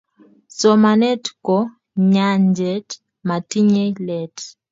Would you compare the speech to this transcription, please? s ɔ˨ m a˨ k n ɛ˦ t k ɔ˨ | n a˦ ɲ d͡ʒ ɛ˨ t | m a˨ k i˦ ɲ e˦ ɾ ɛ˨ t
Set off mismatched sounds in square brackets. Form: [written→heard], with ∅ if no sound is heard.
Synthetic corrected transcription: s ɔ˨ m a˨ [k→∅] n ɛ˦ t k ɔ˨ | [n→ɲ] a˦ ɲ d͡ʒ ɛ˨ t | m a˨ [k→t] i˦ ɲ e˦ [ɾ→l] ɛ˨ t